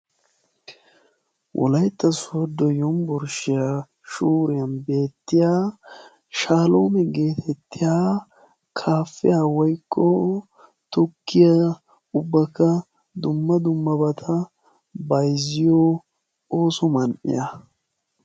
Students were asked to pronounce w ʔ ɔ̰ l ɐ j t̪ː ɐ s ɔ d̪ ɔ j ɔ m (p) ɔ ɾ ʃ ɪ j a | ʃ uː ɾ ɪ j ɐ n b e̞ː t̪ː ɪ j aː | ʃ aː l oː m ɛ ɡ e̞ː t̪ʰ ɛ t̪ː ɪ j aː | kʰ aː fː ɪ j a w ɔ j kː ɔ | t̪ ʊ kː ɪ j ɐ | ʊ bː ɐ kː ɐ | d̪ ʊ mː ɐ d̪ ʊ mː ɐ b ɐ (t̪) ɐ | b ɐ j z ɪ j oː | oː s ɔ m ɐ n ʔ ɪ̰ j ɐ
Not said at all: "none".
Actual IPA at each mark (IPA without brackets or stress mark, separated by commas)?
b, t̪ʰ